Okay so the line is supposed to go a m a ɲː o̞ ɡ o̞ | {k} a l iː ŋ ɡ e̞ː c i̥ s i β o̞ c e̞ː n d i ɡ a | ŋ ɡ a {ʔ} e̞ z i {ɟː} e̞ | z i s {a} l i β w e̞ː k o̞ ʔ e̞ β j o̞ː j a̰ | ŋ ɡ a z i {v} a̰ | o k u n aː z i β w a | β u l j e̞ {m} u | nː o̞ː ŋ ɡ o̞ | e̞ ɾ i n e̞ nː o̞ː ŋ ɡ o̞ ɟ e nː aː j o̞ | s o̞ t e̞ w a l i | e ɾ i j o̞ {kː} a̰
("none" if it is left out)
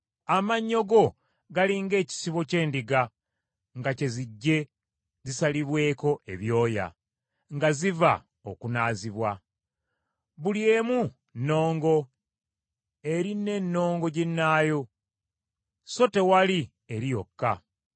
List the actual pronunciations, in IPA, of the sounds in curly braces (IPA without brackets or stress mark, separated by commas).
ɡ, c, ɟː, a, v, m, kː